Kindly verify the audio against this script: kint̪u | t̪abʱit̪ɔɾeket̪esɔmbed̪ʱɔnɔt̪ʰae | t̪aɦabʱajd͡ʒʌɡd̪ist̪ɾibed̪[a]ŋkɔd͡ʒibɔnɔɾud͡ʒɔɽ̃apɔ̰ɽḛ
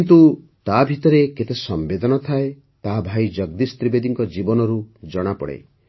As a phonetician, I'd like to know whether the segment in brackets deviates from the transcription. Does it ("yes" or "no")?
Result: yes